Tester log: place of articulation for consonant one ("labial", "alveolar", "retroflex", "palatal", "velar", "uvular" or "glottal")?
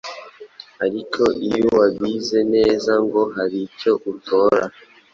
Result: alveolar